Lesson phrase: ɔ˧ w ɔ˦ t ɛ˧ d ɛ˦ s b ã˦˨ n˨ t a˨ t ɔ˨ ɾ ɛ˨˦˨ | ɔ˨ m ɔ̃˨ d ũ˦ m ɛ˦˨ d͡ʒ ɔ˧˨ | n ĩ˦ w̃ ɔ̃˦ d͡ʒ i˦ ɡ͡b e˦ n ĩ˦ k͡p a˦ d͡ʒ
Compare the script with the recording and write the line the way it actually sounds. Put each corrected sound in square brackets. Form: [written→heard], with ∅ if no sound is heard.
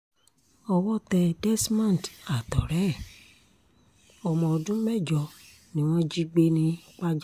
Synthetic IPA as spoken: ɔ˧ w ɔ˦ t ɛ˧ d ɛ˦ s [b→m] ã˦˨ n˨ t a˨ t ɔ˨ ɾ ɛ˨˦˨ | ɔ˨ m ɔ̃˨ d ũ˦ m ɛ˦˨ d͡ʒ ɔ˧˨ | n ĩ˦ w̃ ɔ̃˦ d͡ʒ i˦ ɡ͡b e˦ n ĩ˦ k͡p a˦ d͡ʒ

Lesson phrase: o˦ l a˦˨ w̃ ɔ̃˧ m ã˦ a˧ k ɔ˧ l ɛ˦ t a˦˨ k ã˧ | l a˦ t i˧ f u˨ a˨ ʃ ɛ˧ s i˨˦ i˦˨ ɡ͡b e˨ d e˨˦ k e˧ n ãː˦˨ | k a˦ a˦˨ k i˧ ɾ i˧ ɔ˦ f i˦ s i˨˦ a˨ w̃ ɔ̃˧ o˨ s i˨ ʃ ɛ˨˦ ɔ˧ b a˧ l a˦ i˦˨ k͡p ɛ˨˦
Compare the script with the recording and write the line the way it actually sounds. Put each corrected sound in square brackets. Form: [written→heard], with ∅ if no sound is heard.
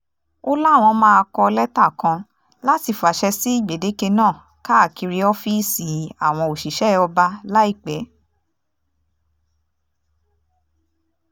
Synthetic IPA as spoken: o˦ l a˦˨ w̃ ɔ̃˧ m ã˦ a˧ k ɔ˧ l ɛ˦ t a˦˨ k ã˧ | l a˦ t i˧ f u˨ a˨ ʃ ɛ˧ s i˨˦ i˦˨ ɡ͡b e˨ d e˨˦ k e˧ n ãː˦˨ | k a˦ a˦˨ k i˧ ɾ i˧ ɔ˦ f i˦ s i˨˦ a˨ w̃ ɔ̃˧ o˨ [s→ʃ] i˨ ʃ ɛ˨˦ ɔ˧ b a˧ l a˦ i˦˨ k͡p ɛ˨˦

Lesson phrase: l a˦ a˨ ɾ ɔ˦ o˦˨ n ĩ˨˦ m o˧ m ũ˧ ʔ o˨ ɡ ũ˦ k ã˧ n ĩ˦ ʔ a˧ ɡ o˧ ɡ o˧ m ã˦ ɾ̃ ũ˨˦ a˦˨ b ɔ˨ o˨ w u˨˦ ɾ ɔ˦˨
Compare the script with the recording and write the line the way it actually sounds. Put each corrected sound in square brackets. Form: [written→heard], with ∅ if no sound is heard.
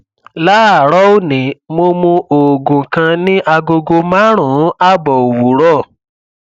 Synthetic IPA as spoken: l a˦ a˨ ɾ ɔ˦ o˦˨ n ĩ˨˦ m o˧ m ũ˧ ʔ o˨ ɡ [ũ˦→ũ˨] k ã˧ n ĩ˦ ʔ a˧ ɡ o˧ ɡ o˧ m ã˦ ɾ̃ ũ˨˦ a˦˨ b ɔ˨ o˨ w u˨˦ ɾ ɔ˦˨

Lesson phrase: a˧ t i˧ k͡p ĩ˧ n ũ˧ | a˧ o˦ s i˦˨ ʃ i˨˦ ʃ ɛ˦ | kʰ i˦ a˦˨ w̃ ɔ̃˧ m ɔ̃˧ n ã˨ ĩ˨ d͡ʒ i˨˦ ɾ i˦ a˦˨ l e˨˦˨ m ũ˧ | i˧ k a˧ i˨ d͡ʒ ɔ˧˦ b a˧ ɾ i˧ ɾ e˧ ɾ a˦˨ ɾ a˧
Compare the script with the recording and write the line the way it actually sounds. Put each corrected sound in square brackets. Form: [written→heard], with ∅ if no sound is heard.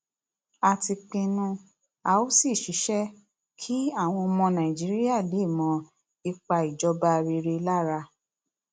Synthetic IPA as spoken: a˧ t i˧ k͡p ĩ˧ n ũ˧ | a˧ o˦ s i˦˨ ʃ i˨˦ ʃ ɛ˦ | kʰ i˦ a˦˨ w̃ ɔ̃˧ m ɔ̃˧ n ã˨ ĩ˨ d͡ʒ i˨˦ ɾ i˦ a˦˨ l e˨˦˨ m [ũ˧→ɔ̃˧] | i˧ [k→k͡p] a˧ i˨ d͡ʒ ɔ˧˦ b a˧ ɾ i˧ ɾ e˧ [ɾ→l] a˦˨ ɾ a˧

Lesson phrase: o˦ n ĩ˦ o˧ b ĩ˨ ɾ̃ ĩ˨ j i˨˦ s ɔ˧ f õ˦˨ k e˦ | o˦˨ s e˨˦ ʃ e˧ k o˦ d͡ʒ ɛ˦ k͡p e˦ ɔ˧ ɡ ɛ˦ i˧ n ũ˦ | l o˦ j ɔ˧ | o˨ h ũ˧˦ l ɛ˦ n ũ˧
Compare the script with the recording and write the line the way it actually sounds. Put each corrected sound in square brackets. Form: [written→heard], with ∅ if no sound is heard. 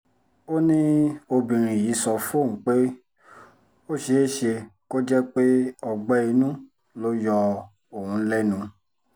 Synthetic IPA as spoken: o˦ n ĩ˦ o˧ b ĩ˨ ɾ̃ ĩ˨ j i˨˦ s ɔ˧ f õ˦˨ [k→k͡p] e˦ | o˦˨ [s→ʃ] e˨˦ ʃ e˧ k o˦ d͡ʒ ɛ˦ k͡p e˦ ɔ˧ [ɡ→ɡ͡b] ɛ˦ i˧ n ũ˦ | l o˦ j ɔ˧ | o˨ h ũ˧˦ l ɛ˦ n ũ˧

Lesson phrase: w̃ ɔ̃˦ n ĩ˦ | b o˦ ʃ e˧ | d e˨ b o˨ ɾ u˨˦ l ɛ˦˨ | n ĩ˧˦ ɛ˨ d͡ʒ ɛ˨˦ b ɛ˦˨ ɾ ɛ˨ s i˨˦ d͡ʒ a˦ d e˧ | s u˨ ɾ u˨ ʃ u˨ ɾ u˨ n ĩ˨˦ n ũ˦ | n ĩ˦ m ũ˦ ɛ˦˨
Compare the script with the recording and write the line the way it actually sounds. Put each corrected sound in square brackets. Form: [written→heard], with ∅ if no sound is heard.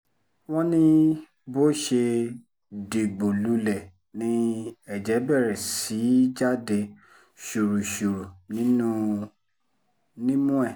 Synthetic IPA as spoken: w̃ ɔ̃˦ n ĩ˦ | b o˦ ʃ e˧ | d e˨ [b→ɡ͡b] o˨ [ɾ→l] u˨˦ l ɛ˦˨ | n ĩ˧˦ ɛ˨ d͡ʒ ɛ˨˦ b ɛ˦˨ ɾ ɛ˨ s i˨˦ d͡ʒ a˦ d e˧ | [s→ʃ] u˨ ɾ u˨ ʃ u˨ ɾ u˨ n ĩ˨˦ n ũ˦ | n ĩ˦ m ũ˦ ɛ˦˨

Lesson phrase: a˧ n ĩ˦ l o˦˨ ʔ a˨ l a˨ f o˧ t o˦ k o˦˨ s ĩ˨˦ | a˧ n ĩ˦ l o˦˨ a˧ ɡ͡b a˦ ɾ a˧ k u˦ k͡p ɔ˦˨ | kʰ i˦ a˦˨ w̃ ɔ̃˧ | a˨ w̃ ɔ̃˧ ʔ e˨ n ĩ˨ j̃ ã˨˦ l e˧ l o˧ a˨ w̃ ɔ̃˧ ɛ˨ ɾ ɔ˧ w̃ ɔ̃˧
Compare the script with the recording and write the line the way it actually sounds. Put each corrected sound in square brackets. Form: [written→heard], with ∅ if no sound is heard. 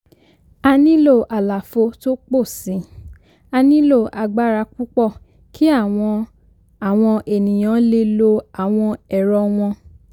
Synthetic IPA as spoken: a˧ n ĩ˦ l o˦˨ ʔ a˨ l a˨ f o˧ t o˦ [k→k͡p] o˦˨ s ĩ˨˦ | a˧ n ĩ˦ l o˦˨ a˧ ɡ͡b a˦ ɾ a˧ k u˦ k͡p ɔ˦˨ | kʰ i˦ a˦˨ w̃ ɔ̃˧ | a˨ w̃ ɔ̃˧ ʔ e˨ n ĩ˨ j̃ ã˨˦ l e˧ l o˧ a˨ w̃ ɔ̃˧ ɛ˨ ɾ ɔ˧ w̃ ɔ̃˧

